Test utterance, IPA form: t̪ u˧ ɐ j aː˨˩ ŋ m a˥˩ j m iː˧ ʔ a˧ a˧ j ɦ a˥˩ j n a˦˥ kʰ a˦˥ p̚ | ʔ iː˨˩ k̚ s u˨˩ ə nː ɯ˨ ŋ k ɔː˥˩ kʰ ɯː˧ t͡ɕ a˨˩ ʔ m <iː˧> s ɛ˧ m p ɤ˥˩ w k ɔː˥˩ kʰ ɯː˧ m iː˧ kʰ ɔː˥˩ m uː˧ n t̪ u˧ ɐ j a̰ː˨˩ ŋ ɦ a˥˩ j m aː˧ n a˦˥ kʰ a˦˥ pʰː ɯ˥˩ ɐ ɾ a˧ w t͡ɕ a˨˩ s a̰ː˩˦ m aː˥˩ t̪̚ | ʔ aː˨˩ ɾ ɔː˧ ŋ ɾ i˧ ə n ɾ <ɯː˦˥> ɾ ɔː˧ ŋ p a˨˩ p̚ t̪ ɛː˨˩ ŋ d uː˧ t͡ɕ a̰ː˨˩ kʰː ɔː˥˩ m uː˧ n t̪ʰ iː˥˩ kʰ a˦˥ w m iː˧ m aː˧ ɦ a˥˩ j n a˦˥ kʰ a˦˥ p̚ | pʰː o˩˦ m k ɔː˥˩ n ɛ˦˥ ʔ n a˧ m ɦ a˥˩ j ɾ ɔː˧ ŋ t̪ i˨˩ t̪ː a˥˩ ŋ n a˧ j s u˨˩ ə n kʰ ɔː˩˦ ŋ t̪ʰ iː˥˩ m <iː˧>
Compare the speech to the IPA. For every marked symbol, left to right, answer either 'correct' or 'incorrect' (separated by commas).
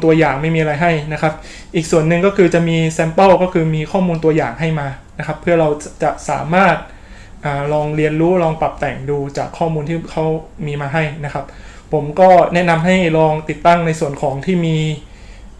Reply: correct, incorrect, correct